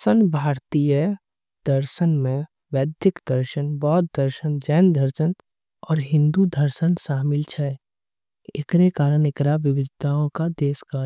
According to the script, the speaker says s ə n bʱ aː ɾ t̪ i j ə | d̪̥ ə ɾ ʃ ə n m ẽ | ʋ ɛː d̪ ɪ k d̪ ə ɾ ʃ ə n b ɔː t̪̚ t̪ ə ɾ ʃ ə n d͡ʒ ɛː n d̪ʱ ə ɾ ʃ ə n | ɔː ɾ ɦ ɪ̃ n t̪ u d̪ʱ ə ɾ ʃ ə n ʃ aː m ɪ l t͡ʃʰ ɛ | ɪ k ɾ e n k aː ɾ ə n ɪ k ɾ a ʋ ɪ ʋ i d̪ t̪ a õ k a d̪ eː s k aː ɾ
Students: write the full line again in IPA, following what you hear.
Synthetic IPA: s ə n bʱ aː ɾ t̪ i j ə | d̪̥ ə ɾ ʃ ə n m ẽ | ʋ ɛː d̪ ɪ k d̪ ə ɾ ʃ ə n b ɔː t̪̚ d̪ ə ɾ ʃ ə n d͡ʒ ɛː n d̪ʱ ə ɾ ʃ ə n | ɔː ɾ ɦ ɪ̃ n d̪ u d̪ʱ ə ɾ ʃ ə n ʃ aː m ɪ l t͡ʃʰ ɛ | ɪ k ɾ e k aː ɾ ə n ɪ k ɾ a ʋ ɪ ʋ ɪ d̪ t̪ a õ k a d̪ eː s k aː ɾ